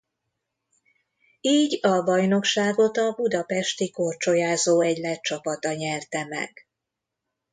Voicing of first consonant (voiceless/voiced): voiced